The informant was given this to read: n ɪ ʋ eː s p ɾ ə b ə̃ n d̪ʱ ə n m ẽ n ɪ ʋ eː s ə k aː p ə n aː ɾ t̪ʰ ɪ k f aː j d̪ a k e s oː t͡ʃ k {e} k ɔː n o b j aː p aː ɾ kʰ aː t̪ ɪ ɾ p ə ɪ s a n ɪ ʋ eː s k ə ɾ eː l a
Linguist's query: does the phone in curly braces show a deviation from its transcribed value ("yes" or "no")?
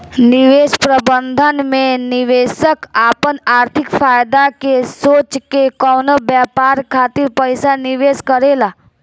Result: no